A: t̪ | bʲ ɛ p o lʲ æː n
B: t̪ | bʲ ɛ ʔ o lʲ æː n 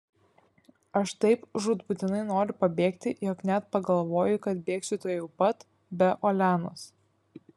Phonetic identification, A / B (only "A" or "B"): B